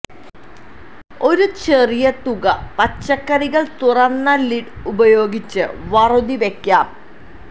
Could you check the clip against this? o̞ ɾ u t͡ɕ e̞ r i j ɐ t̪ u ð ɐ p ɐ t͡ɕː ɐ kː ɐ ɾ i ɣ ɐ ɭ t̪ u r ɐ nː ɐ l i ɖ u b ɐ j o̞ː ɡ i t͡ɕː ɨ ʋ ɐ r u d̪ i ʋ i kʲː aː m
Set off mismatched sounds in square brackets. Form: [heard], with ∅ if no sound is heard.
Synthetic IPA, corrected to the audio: o̞ ɾ u t͡ɕ e̞ r i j ɐ t̪ u [ɣ] ɐ p ɐ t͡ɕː ɐ kː ɐ ɾ i ɣ ɐ ɭ t̪ u r ɐ nː ɐ l i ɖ u b ɐ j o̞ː ɡ i t͡ɕː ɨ ʋ ɐ r u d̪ i ʋ [e] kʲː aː m